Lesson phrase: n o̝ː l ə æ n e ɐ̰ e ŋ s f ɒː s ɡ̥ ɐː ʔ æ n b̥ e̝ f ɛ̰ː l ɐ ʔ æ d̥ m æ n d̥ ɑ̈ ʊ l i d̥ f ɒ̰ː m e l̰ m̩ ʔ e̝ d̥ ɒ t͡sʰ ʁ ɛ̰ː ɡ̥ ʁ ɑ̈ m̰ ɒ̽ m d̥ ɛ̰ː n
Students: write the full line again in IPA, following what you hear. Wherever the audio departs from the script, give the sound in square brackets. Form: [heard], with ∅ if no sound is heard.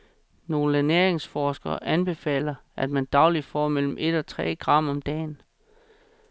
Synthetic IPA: n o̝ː l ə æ n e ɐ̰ e ŋ s f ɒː s ɡ̥ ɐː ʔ æ n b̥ e̝ f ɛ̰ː l ɐ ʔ æ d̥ m æ n d̥ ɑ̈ ʊ l i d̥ f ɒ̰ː m e l̰ m̩ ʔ e̝ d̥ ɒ t͡sʰ ʁ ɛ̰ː ɡ̥ ʁ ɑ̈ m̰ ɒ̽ m d̥ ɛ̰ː n